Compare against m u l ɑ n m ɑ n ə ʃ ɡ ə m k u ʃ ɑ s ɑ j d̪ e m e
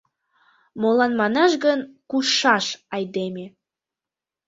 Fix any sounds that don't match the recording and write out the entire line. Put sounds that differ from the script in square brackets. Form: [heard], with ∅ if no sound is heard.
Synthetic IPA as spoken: m [o] l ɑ n m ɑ n [ɑ] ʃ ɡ ə [n] k u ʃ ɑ [ʃ] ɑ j d̪ e m e